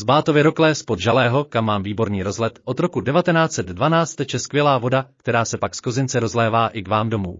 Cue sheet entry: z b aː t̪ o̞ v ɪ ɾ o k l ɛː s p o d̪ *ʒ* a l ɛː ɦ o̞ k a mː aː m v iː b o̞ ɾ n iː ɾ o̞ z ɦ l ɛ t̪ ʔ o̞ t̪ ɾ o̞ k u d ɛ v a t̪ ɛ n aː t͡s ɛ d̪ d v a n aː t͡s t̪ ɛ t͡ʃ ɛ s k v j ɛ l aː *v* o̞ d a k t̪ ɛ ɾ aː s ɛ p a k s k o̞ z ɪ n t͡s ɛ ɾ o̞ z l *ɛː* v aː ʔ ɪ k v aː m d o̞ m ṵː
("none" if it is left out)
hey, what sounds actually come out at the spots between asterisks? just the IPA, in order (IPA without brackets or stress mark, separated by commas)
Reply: ʒ, v, ɛː